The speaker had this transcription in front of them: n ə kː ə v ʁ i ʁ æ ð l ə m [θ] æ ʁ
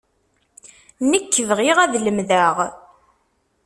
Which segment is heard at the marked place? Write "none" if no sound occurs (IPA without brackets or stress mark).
ð